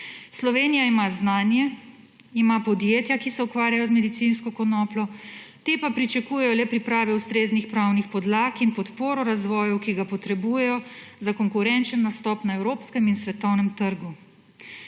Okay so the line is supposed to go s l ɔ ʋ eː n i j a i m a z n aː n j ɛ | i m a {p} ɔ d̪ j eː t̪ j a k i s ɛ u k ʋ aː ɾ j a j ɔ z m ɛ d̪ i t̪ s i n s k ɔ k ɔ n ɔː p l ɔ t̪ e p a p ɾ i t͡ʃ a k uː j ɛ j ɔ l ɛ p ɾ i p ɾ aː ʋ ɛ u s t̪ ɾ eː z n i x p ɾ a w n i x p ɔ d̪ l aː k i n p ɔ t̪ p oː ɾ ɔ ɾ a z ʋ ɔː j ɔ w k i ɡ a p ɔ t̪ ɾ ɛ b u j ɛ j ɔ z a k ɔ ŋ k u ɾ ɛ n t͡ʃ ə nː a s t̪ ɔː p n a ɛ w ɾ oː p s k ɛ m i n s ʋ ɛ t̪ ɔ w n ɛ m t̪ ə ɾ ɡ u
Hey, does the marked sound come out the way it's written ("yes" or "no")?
yes